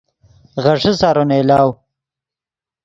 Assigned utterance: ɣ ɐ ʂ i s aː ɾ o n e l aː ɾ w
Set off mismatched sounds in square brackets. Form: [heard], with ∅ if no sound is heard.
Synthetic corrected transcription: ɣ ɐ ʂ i s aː ɾ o n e l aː [∅] w